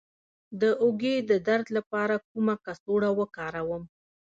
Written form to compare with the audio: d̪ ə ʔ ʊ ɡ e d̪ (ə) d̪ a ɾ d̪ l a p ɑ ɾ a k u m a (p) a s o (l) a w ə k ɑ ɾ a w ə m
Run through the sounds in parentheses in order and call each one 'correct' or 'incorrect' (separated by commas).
correct, incorrect, incorrect